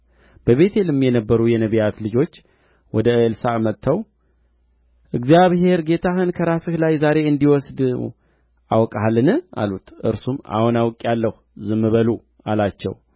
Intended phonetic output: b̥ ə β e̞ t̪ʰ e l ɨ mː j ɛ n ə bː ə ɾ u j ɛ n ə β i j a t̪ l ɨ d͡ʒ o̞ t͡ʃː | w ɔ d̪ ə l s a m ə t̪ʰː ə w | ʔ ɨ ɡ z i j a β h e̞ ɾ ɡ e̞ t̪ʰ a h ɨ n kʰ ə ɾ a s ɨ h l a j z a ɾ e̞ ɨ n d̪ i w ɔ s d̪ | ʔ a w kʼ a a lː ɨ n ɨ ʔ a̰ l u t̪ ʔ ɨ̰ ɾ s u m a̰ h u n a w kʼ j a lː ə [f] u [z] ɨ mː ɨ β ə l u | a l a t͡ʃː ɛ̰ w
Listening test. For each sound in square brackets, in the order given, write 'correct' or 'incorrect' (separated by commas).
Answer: incorrect, correct